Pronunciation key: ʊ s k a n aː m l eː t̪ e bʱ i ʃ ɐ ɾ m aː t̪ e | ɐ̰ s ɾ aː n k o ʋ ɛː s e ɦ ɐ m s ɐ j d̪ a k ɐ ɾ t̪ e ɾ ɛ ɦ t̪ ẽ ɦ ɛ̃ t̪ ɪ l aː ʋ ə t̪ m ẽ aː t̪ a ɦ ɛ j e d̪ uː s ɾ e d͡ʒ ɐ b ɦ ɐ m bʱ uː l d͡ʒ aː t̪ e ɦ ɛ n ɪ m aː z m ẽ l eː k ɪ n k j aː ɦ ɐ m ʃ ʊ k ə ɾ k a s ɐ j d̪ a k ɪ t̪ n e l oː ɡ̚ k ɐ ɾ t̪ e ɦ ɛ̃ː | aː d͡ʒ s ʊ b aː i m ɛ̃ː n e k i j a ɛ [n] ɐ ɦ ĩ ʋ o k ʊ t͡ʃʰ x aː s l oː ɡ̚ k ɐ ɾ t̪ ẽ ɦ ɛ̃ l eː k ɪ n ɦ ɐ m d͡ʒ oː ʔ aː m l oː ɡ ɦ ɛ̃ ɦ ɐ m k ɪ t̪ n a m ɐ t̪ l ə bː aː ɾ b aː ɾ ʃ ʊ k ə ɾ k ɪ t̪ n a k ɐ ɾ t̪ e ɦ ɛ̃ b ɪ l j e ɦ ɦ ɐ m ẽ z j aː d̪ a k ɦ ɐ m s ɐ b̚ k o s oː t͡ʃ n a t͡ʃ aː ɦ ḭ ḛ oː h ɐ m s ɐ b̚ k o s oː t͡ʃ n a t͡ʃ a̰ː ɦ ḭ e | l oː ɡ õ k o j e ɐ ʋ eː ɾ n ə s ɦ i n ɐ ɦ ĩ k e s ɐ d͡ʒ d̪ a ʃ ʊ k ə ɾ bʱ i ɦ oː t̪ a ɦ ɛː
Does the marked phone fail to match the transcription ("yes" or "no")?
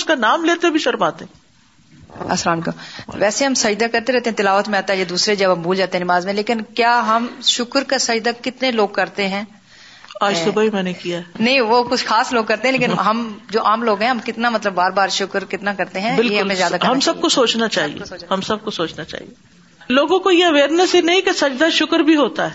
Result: no